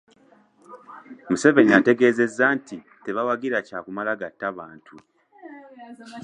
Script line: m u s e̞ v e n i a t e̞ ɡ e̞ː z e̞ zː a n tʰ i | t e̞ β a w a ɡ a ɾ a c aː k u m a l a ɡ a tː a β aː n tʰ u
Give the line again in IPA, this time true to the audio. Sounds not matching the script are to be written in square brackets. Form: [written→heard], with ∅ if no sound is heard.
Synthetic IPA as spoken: m u s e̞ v e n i a t e̞ ɡ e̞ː z e̞ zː a n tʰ i | t e̞ β a w a ɡ [a→i] ɾ a c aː k u m a l a ɡ a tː a β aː n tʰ u